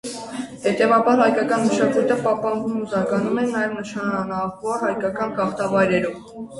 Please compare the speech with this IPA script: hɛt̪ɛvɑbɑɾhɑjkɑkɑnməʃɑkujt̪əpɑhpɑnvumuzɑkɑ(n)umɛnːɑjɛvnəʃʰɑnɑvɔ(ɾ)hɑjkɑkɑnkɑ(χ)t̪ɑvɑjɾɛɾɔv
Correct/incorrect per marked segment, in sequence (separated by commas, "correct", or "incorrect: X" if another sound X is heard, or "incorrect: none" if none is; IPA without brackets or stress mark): correct, correct, correct